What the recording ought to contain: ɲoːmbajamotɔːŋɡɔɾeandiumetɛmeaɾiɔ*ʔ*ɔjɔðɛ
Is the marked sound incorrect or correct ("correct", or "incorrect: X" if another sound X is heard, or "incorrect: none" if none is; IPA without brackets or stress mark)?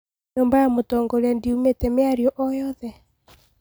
correct